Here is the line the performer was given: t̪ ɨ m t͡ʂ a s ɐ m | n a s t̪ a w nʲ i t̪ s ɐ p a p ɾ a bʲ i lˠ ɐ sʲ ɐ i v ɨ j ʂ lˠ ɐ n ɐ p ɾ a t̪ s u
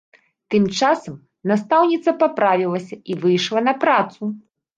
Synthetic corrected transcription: t̪ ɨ m t͡ʂ a s ɐ m | n a s t̪ a w nʲ i t̪ s ɐ p a p ɾ a vʲ i lˠ ɐ sʲ ɐ i v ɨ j ʂ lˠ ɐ n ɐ p ɾ a t̪ s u